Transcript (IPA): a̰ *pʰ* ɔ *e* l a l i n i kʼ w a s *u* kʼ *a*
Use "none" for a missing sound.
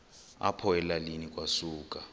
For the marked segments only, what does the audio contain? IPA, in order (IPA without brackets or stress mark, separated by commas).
pʰ, ɛ, uː, a